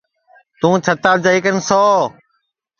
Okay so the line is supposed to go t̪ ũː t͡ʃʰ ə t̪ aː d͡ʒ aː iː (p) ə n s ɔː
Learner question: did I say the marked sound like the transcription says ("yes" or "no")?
no